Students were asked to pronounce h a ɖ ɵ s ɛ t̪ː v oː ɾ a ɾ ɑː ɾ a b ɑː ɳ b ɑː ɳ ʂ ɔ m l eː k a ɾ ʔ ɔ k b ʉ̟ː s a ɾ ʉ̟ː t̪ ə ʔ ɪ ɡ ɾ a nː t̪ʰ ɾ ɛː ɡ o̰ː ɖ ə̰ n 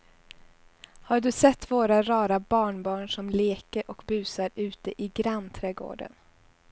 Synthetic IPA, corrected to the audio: h a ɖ ɵ s ɛ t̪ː v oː ɾ a ɾ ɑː ɾ a b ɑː ɳ b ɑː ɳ ʂ ɔ m l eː k ə ɾ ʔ ɔ k b ʉ̟ː s a ɾ ʉ̟ː t̪ ə ʔ ɪ ɡ ɾ a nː t̪ʰ ɾ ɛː ɡ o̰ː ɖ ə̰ n

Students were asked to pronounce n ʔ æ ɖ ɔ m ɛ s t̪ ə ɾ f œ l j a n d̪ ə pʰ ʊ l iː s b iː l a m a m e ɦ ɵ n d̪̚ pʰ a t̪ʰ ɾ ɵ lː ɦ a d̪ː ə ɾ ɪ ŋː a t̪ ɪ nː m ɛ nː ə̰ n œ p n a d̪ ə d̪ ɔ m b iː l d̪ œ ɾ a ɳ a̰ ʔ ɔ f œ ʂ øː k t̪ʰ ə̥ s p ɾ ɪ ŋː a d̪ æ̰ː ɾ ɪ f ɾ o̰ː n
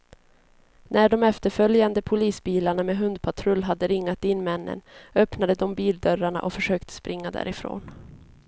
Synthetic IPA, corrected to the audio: n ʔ æ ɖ ɔ m ɛ f t̪ ə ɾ f œ l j a n d̪ ə pʰ ʊ l iː s b iː l a ɳ a m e ɦ ɵ n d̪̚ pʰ a t̪ʰ ɾ ɵ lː ɦ a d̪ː ə ɾ ɪ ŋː a t̪ ɪ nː m ɛ nː ə̰ n œ p n a d̪ ə d̪ ɔ m b iː l d̪ œ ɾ a ɳ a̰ ʔ ɔ f œ ʂ øː k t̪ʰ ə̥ s p ɾ ɪ ŋː a d̪ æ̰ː ɾ ɪ f ɾ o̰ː n

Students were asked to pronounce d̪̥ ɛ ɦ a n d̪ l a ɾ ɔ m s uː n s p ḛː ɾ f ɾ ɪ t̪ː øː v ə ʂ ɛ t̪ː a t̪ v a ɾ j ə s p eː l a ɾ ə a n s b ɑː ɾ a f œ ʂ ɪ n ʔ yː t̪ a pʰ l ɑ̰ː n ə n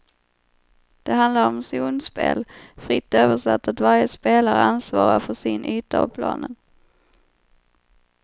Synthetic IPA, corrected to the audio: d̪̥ ɛ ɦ a n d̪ l a ɾ ɔ m s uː n s p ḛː l f ɾ ɪ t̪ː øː v ə ʂ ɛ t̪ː a t̪ v a ɾ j ə s p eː l a ɾ ə a n s v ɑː ɾ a f œ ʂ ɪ n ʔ yː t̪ a pʰ l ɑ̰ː n ə n

